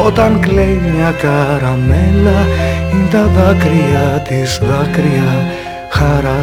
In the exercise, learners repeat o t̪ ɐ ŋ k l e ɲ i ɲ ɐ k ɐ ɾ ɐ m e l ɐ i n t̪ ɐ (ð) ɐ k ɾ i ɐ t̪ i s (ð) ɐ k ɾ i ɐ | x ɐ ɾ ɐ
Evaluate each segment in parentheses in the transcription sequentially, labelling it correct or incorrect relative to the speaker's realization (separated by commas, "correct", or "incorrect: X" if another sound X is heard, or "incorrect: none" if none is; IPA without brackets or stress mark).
correct, correct